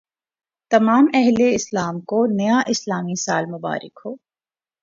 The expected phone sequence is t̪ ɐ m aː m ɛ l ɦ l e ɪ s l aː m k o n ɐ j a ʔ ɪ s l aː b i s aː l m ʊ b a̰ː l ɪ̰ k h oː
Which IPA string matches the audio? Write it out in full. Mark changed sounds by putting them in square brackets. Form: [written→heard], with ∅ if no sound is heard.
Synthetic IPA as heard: t̪ ɐ m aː m ɛ [l→∅] ɦ l e ɪ s l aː m k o n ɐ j a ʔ ɪ s l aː [b→m] i s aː l m ʊ b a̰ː [l→ɾ] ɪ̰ k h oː